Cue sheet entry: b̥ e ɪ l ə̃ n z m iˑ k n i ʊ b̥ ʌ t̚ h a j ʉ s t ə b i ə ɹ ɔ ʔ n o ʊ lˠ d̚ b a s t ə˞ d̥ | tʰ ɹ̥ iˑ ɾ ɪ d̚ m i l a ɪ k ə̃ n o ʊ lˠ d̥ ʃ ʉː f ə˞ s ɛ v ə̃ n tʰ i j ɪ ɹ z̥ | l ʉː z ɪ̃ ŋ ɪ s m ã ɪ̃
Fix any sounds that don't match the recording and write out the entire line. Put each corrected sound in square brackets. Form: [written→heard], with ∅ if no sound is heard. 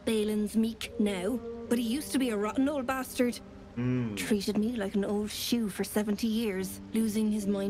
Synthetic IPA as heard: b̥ e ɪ l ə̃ n z m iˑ k n [i→a] ʊ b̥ ʌ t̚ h [a→i] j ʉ s t ə b i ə ɹ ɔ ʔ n o ʊ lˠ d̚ b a s t ə˞ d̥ | tʰ ɹ̥ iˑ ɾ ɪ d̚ m i l a ɪ k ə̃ n o ʊ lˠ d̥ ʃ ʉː f ə˞ s ɛ v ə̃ n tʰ i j ɪ ɹ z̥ | l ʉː z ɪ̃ ŋ ɪ [s→z] m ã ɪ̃